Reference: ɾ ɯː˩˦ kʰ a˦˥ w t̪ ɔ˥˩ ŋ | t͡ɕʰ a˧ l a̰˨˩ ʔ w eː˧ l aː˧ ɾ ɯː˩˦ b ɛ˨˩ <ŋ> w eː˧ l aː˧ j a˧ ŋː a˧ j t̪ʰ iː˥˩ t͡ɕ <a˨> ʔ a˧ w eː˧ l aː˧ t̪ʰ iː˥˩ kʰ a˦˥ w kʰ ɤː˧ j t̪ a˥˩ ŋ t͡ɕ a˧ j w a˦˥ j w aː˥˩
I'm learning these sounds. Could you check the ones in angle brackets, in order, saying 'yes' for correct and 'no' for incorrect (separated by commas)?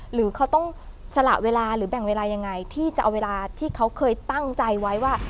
yes, yes